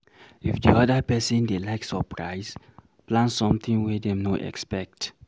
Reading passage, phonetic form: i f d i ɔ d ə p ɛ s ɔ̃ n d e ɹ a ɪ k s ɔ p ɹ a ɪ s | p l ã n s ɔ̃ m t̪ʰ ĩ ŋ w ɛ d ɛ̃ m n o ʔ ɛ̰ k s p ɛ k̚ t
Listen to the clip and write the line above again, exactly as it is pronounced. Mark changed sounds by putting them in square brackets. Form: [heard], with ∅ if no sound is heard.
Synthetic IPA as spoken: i f d i ɔ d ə p ɛ s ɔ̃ n d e [l] a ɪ k s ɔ p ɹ a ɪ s | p l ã n s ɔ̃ m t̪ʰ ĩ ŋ w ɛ d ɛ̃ m n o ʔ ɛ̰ k s p ɛ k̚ t